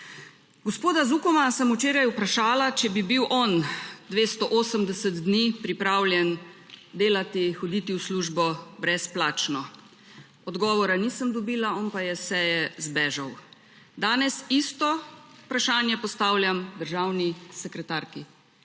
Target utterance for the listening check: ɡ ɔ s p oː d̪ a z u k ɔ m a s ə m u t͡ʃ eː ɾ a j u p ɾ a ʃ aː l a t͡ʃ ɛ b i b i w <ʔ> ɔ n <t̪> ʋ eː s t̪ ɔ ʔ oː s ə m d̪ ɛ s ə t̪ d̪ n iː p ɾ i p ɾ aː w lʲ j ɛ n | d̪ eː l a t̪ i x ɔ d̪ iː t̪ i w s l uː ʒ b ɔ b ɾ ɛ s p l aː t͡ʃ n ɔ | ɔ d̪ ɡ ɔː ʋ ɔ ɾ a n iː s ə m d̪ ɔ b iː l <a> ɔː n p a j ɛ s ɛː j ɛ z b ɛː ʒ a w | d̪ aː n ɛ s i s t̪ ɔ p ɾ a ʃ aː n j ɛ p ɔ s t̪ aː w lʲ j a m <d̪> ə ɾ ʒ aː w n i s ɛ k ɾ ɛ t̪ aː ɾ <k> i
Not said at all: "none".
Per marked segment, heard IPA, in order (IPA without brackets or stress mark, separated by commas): ʔ, d̪, a, d̪, k